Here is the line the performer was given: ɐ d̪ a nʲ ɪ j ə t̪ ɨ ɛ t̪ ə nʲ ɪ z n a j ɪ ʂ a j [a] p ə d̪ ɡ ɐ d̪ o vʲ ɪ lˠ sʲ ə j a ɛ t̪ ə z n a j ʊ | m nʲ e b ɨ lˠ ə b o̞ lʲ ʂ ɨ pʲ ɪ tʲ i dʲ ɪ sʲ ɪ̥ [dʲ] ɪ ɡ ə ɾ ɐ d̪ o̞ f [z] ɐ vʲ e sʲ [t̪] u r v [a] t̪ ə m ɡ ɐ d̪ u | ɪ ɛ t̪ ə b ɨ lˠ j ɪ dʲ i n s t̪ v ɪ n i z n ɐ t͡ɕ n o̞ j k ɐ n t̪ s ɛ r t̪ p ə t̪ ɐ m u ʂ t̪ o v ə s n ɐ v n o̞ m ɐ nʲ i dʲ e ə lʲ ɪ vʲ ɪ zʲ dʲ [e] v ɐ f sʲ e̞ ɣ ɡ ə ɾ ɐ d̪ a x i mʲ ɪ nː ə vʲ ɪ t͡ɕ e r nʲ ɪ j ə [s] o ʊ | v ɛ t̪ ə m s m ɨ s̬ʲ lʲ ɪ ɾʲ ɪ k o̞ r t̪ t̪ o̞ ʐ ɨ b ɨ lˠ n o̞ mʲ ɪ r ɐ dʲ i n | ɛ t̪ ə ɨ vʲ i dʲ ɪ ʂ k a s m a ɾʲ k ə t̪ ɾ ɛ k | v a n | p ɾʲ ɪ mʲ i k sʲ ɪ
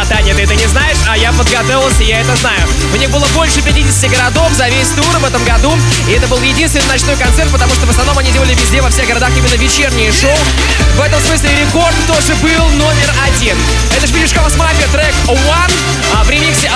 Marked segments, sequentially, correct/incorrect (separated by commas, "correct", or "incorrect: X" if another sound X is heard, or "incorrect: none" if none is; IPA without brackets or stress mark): correct, incorrect: tʲ, correct, correct, incorrect: ɛ, correct, incorrect: ʂ